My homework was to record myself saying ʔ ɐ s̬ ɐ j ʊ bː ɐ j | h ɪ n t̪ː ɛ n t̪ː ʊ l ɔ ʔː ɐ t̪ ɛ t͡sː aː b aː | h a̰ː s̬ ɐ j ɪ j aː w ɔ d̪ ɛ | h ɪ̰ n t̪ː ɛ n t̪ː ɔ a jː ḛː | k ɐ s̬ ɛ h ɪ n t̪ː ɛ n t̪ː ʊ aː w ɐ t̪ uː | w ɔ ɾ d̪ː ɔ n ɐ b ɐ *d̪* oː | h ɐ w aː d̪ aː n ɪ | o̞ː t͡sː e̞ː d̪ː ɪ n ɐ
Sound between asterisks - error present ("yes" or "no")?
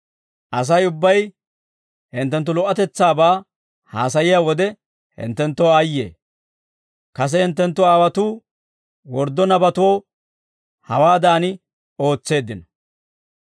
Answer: yes